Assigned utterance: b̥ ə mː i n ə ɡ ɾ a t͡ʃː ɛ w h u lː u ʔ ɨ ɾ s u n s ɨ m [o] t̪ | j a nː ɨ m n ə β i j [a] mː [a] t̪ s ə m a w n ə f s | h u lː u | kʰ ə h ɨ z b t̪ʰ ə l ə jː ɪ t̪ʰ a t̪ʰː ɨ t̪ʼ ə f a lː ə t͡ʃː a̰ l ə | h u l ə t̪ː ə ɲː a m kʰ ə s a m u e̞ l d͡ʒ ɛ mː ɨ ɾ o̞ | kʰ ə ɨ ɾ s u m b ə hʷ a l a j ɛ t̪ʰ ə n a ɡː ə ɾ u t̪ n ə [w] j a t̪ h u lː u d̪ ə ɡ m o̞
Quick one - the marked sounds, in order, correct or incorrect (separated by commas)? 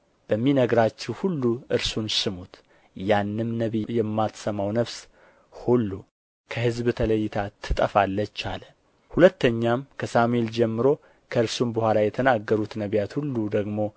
incorrect, incorrect, correct, incorrect